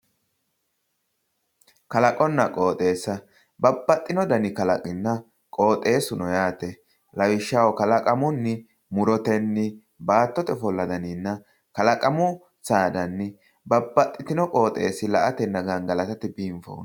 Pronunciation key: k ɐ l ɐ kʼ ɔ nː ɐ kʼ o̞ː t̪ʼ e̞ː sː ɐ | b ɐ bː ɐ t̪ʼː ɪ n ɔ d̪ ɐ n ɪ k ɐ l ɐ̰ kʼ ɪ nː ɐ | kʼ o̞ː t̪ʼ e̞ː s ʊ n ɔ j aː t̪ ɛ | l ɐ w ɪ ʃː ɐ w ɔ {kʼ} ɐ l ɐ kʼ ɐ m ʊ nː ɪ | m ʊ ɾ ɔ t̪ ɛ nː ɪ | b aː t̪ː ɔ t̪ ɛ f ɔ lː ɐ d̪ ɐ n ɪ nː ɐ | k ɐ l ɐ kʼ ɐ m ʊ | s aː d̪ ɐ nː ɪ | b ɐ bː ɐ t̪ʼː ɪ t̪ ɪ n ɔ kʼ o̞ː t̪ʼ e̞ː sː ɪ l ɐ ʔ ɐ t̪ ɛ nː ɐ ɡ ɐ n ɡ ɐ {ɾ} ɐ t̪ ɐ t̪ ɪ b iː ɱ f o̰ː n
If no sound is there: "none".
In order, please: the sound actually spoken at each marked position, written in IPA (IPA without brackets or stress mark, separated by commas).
k, l